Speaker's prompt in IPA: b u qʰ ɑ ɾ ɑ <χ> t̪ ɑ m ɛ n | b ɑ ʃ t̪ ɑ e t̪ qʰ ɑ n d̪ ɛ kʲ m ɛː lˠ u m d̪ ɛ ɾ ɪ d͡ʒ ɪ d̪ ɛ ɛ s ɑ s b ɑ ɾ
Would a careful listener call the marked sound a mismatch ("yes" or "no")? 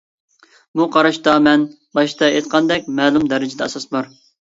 yes